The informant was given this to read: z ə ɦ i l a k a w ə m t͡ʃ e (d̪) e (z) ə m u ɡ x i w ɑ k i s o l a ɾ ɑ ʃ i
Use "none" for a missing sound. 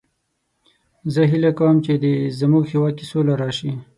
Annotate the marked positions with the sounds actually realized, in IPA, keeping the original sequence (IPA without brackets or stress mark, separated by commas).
d̪, z